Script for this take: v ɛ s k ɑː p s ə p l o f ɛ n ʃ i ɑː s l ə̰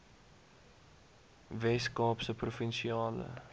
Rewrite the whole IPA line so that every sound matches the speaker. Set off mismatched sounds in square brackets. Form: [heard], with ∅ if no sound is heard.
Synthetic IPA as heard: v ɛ s k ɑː p s ə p [r] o f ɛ n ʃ i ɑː [∅] l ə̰